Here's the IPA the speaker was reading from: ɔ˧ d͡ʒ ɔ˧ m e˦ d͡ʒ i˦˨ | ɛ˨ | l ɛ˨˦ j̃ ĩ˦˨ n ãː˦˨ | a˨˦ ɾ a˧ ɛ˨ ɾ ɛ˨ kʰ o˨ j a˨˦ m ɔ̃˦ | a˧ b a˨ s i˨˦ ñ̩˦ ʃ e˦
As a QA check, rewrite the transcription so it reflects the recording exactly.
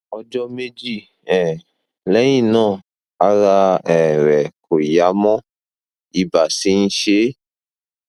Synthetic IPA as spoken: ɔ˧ d͡ʒ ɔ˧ m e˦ d͡ʒ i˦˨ | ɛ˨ | l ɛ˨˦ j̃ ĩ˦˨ n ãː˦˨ | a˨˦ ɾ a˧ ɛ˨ ɾ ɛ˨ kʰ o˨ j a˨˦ m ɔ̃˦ | i˧ b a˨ s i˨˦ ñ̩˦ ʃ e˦